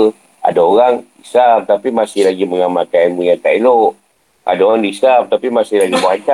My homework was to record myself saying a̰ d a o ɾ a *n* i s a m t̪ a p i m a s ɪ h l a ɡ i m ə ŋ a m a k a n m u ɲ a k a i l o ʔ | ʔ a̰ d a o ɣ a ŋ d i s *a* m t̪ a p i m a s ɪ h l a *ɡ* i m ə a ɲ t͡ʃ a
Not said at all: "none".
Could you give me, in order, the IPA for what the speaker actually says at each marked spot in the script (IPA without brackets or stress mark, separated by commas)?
ŋ, a, ɡ